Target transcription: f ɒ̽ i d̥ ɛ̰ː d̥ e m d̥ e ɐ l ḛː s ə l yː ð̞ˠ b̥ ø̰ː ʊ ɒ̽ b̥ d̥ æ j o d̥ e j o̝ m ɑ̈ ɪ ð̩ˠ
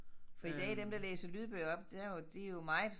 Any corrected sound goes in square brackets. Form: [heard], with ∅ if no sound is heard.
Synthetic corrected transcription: f ɒ̽ i d̥ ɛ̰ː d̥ e m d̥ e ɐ l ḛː s ə l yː ð̞ˠ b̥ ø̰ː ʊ ɒ̽ b̥ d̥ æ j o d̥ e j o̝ m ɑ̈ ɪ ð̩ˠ